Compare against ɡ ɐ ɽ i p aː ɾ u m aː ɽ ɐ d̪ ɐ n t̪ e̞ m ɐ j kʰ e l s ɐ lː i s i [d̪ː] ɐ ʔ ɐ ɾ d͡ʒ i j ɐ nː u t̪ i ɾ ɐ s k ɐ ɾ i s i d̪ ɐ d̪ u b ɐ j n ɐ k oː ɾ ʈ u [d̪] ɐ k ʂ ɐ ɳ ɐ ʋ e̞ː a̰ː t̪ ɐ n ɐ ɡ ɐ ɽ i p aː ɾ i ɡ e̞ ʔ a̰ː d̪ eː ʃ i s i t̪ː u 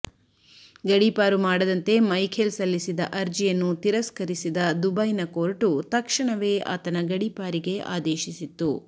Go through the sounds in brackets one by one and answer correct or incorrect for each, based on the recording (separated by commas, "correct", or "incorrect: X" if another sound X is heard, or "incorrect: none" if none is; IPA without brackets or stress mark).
incorrect: d̪, incorrect: t̪